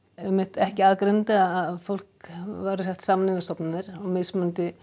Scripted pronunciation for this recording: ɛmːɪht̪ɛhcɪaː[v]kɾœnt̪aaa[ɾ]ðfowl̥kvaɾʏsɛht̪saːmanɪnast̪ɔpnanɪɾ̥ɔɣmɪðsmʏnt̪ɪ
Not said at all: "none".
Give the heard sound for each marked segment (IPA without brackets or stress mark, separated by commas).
ð, none